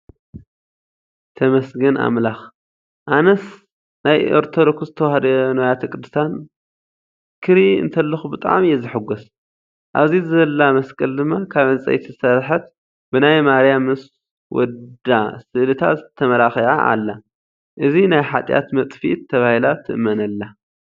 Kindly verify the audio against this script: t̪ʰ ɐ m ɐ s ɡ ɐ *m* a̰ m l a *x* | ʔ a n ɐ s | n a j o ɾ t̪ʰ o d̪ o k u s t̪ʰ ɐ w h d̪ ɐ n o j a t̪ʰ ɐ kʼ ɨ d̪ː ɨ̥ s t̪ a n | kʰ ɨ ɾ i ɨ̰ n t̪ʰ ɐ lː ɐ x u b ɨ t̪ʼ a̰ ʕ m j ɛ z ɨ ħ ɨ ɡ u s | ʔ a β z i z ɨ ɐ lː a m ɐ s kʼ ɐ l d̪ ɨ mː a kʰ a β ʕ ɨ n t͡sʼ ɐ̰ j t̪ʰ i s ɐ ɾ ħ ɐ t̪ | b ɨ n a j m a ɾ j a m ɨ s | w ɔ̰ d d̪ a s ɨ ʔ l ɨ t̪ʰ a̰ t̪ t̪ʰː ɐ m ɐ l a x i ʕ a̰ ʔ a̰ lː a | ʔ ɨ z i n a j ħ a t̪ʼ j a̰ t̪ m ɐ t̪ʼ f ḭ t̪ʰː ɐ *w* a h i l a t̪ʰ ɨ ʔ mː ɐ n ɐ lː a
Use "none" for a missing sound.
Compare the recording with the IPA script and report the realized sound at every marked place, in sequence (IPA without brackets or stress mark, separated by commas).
n, x, β